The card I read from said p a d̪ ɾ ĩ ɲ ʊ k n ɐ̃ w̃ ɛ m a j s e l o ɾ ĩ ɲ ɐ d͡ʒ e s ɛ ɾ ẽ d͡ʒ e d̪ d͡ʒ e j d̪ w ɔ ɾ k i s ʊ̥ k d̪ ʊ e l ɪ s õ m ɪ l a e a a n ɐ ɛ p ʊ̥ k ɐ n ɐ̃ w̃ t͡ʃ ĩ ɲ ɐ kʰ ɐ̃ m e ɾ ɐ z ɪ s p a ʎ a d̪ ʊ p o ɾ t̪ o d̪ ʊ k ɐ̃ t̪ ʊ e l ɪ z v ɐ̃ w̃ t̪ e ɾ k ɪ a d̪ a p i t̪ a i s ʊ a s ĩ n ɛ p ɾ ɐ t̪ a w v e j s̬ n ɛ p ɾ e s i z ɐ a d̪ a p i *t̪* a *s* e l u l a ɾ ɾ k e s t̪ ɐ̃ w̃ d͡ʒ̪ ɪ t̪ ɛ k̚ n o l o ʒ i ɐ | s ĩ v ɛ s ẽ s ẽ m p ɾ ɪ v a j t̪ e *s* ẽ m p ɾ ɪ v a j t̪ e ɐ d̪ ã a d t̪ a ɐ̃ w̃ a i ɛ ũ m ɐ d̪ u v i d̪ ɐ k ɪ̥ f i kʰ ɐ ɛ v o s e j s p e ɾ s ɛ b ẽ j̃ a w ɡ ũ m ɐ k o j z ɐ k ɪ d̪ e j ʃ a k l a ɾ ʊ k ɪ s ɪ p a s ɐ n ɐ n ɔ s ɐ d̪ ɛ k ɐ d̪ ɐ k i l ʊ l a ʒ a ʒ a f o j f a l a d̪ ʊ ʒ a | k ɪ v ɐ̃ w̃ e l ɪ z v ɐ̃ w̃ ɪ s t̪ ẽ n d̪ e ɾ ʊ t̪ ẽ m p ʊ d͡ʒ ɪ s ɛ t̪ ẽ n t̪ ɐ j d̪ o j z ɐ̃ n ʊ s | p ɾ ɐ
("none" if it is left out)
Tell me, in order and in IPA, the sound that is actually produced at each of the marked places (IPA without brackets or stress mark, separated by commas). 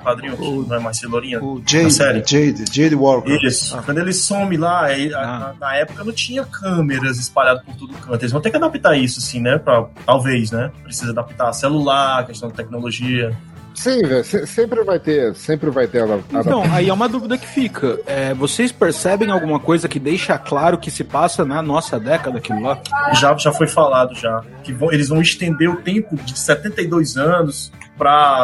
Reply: t̪, s, s